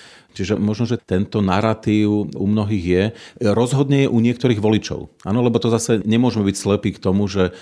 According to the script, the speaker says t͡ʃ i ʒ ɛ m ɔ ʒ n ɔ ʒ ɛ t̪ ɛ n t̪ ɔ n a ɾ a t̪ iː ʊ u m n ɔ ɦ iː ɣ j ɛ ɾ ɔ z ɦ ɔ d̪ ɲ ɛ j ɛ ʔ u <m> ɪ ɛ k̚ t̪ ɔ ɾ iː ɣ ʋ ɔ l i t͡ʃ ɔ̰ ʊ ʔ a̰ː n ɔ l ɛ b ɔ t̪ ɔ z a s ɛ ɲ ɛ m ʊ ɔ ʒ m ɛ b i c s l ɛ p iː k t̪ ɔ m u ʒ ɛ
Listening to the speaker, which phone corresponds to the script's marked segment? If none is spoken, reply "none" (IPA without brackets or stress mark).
ɲ